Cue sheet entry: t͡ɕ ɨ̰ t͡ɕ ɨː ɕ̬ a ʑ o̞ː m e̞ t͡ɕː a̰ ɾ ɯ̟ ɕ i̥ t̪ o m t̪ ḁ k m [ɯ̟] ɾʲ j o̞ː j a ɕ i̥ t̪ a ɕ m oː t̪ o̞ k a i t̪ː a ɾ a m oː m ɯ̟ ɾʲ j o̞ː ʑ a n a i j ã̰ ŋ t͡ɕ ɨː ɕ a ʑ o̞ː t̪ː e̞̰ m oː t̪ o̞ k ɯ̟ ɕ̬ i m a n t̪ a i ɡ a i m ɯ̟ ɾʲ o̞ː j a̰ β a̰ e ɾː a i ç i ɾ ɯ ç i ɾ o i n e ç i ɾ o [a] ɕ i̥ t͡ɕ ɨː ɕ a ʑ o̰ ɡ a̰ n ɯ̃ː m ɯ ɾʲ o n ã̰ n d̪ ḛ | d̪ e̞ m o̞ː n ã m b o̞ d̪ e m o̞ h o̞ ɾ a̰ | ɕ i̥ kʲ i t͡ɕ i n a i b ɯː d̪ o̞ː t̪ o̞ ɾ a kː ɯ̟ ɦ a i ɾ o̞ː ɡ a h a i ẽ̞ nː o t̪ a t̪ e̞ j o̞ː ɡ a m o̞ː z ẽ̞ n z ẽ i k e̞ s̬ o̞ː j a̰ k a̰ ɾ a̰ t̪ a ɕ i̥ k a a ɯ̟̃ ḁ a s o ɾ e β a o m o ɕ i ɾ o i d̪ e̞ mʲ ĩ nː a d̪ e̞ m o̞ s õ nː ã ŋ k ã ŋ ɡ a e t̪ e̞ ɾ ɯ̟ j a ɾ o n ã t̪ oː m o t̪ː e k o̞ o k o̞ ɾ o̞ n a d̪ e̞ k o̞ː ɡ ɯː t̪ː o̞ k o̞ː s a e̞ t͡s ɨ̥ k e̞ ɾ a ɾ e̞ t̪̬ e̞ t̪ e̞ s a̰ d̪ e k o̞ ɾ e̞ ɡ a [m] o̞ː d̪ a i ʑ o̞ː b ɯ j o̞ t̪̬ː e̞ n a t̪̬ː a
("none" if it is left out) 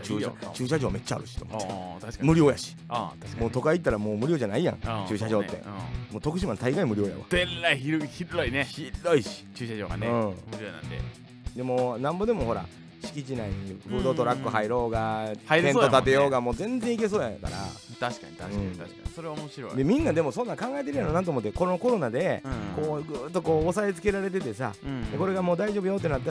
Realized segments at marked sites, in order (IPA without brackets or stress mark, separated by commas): ɯ̟, i, m